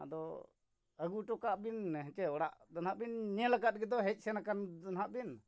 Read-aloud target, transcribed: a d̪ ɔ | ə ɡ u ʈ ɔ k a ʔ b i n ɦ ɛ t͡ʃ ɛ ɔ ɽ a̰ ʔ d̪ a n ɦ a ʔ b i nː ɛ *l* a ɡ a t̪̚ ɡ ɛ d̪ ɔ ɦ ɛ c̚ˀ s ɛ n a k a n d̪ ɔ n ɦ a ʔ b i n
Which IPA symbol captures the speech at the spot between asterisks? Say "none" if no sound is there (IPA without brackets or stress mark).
l